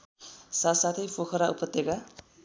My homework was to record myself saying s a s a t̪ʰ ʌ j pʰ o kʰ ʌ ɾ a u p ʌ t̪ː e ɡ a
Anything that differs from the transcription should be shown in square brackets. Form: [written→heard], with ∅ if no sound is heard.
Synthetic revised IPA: s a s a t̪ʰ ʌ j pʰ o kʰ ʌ ɾ a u p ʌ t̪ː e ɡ a